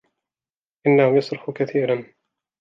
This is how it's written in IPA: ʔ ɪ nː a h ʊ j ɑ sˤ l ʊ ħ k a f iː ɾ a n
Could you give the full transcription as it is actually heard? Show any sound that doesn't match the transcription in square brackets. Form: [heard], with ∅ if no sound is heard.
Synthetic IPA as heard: ʔ ɪ nː a h ʊ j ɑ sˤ [ɾ] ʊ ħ k a [θ] iː ɾ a n